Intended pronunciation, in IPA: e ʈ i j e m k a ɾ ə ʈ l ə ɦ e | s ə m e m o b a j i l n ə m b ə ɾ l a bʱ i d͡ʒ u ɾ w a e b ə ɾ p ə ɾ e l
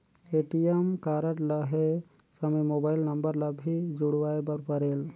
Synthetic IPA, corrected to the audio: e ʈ i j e m k a ɾ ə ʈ l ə ɦ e | s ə m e m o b a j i l n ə m b ə ɾ l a bʱ i d͡ʒ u ɽ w a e b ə ɾ p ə ɾ e l